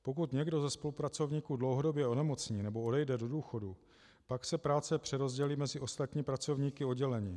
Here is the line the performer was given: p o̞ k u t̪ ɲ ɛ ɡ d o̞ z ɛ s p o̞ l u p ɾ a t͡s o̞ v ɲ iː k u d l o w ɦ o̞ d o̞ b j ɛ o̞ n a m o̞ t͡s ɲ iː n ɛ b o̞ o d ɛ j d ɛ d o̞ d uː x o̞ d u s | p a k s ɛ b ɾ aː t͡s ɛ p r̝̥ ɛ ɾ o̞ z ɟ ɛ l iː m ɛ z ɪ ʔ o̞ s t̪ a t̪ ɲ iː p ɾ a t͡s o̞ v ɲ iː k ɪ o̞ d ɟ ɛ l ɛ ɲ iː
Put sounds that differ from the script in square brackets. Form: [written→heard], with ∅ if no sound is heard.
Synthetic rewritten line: p o̞ k u t̪ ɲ ɛ ɡ d o̞ z ɛ s p o̞ l u p ɾ a t͡s o̞ v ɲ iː k u d l o w ɦ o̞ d o̞ b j ɛ o̞ n [a→ɛ] m o̞ t͡s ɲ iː n ɛ b o̞ o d ɛ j d ɛ d o̞ d uː x o̞ d u [s→∅] | p a k s ɛ [b→p] ɾ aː t͡s ɛ p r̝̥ ɛ ɾ o̞ z ɟ ɛ l iː m ɛ z ɪ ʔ o̞ s t̪ a t̪ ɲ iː p ɾ a t͡s o̞ v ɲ iː k ɪ o̞ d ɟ ɛ l ɛ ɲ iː